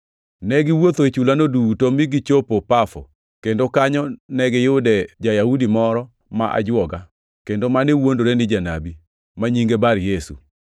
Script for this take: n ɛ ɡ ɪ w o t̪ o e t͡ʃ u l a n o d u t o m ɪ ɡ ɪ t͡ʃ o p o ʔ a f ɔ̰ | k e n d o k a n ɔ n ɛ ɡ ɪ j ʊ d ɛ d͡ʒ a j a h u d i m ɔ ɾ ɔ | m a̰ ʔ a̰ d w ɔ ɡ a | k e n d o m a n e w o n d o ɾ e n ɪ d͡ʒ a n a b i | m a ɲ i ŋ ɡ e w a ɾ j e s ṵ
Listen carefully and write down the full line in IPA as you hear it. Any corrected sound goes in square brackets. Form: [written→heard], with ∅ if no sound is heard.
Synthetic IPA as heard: n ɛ ɡ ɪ w o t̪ o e t͡ʃ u l a n o d u t o m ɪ ɡ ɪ t͡ʃ o p o [ʔ→p] a f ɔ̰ | k e n d o k a [n→ɲ] ɔ n ɛ ɡ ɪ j ʊ d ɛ d͡ʒ a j a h u d i m ɔ ɾ ɔ | m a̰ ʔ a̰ [d→d͡ʒ] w ɔ ɡ a | k e n d o m a n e w o n d o ɾ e n ɪ d͡ʒ a n a b i | m a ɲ i ŋ ɡ e [w→b] a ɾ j e s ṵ